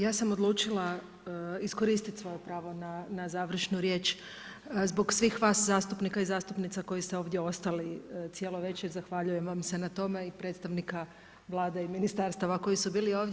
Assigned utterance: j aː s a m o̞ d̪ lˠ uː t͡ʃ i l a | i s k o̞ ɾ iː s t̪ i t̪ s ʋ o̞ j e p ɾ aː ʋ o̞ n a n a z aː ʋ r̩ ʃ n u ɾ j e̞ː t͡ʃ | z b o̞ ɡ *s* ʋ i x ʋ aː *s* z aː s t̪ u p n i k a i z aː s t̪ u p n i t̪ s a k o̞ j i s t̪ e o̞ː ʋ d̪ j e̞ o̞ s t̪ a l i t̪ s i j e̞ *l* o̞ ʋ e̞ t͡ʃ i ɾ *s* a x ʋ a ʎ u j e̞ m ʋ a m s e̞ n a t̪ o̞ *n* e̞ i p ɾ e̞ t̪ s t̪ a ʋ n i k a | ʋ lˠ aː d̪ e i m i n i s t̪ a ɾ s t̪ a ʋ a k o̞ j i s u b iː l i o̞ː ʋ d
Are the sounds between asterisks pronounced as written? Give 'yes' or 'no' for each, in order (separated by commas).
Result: yes, yes, yes, no, no